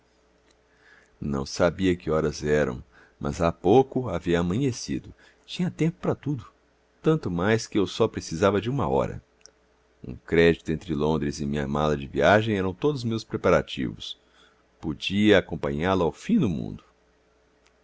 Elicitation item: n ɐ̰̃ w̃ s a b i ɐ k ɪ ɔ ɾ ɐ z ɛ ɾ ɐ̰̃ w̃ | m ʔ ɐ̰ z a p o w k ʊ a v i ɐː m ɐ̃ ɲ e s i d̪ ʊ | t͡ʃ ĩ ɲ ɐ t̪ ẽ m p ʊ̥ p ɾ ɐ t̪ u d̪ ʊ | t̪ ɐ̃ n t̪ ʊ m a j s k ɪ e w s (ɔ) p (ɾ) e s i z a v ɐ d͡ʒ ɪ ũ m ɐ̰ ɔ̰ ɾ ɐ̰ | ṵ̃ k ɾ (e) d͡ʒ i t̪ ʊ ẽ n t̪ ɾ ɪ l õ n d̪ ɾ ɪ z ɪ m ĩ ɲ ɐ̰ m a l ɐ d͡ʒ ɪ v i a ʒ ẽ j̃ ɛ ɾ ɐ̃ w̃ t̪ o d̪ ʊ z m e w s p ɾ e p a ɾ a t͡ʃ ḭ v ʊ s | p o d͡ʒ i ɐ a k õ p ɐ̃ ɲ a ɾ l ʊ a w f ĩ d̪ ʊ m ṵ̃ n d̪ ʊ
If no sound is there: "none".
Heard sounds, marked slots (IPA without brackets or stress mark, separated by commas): ɔ, ɾ, ɛ